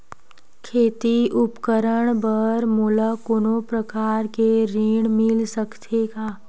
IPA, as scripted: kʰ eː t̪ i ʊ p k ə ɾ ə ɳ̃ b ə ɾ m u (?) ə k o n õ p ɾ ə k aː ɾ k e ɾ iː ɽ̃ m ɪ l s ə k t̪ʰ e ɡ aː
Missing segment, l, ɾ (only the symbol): l